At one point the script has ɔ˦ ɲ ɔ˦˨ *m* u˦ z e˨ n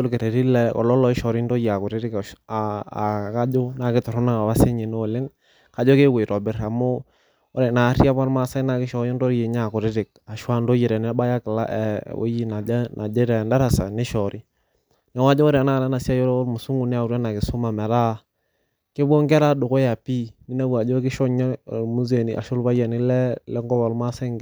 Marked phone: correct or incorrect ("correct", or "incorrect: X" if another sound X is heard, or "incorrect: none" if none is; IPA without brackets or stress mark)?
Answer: correct